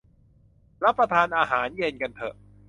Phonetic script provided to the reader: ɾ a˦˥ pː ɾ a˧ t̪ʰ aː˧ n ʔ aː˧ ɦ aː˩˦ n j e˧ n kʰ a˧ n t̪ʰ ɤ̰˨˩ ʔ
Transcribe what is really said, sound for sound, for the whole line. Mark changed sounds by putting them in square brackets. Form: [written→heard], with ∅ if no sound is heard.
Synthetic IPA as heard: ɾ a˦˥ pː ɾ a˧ t̪ʰ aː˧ n ʔ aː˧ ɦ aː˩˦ n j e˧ n [kʰ→k] a˧ n t̪ʰ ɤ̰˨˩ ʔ